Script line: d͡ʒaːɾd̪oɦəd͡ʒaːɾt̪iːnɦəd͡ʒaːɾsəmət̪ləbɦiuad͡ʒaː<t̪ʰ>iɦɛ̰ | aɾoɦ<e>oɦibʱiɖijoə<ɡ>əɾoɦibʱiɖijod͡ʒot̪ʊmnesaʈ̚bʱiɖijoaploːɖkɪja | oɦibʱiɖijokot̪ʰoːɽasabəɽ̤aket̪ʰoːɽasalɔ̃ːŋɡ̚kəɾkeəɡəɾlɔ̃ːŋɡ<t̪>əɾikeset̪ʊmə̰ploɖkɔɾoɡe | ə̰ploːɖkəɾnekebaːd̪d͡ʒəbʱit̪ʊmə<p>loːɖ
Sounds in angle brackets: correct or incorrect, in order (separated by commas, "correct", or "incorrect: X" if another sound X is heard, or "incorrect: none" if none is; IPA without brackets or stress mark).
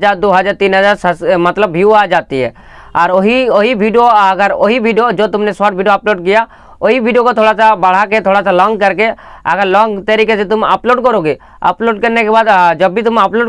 incorrect: t̪, incorrect: i, correct, correct, correct